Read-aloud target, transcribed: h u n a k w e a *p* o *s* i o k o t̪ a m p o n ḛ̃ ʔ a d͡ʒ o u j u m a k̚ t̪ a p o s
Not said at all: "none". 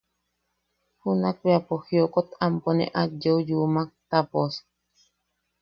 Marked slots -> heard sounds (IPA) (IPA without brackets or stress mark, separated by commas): p, h